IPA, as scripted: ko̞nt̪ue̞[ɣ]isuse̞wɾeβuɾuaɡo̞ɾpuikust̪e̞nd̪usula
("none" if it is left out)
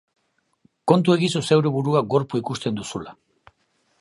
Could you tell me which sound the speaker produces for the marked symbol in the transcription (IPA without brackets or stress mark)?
ɣ